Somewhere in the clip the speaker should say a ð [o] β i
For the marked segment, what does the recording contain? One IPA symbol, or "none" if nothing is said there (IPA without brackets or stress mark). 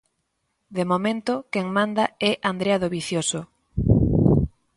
o